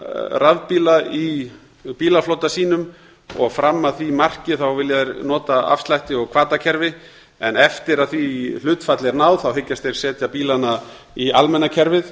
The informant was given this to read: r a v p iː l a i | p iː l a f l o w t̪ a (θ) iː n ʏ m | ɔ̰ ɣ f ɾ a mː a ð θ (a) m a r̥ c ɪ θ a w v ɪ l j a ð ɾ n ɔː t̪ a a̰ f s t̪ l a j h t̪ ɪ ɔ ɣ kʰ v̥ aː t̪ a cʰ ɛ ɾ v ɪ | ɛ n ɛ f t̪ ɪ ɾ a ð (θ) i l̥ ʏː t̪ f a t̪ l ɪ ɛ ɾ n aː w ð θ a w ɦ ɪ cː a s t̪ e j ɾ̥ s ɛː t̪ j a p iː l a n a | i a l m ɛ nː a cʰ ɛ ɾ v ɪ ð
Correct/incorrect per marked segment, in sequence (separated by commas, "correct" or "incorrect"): incorrect, incorrect, correct